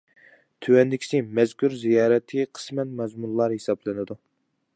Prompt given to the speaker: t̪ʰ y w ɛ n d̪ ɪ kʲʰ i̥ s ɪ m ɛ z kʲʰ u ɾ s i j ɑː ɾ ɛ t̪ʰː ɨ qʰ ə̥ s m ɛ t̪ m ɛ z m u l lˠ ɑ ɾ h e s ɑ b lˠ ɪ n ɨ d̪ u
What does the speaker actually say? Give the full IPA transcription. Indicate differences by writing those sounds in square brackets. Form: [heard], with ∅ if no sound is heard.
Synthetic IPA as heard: t̪ʰ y w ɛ n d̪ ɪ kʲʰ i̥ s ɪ m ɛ z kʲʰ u ɾ [z] i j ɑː ɾ ɛ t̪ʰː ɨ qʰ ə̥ s m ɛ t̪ m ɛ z m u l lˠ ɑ ɾ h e s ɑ b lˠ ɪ n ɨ d̪ u